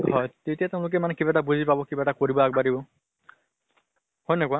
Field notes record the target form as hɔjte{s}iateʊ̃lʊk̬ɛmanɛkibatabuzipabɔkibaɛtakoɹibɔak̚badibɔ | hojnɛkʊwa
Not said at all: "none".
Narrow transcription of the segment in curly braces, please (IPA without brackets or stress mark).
t